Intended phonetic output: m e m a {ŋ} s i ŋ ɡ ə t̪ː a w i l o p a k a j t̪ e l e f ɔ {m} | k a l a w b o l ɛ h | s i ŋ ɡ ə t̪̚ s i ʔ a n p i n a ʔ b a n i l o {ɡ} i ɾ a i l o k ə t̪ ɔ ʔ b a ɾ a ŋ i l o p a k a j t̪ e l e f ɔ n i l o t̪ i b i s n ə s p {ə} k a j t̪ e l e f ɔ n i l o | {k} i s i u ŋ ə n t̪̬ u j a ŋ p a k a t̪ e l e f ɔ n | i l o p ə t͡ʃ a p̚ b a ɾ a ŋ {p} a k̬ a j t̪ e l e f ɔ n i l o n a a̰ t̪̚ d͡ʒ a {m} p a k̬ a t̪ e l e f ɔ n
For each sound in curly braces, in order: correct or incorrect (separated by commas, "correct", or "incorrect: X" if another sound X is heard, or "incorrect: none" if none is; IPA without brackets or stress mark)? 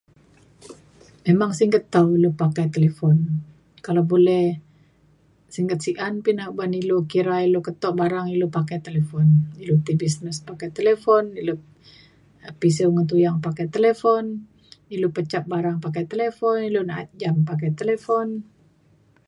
correct, incorrect: n, incorrect: k, incorrect: a, incorrect: p, correct, correct